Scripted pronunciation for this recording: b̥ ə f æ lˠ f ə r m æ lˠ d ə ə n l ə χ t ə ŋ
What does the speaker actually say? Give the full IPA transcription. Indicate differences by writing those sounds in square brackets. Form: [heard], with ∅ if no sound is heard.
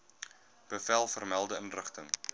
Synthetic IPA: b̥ ə f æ lˠ f ə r m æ lˠ d ə ə n [r] ə χ t ə ŋ